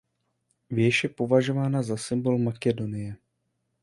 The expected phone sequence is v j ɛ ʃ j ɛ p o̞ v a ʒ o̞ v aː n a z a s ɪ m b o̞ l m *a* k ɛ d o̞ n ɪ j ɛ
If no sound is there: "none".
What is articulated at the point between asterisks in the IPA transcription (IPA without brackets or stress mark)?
a